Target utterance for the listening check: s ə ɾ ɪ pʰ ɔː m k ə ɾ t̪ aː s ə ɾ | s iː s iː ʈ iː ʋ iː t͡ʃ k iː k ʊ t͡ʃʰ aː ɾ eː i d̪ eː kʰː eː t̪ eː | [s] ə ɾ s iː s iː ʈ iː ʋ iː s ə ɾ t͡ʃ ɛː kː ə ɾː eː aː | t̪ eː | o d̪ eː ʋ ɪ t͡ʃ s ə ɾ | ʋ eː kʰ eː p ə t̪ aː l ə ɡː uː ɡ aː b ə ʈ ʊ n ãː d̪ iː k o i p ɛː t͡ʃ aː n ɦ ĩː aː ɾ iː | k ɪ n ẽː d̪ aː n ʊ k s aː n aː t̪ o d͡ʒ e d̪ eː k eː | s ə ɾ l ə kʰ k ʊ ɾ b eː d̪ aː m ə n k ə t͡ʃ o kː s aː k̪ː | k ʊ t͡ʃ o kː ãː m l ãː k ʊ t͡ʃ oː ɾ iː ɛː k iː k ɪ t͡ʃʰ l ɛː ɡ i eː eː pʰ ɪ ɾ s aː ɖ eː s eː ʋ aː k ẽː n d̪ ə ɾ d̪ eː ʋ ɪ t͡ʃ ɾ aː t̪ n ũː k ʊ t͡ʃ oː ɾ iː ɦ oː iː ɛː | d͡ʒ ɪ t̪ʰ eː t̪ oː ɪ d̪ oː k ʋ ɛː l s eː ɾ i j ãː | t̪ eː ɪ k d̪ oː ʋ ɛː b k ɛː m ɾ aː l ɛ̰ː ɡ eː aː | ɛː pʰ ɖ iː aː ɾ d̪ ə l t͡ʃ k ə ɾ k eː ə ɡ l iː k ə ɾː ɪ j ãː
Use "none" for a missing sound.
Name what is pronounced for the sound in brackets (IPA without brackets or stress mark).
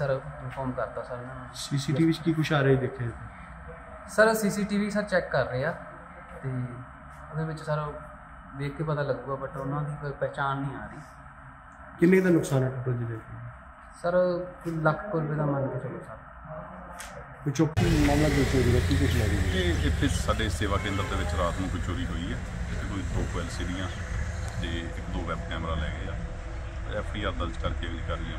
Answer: s